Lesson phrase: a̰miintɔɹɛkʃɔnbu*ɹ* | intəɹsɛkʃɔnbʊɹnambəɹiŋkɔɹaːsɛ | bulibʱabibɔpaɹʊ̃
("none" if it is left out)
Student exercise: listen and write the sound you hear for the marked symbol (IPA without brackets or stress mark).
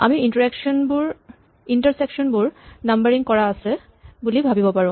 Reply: ɹ